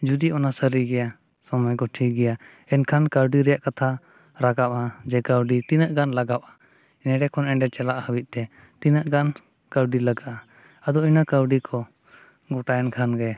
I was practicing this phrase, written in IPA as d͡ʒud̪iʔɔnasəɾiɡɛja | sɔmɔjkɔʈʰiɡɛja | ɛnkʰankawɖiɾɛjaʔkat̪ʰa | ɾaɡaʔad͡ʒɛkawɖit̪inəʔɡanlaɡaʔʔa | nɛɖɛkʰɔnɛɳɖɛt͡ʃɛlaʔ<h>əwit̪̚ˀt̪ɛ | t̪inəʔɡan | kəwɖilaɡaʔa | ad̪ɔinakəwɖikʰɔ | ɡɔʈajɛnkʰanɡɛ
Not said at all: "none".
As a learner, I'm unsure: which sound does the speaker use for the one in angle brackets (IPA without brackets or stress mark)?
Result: h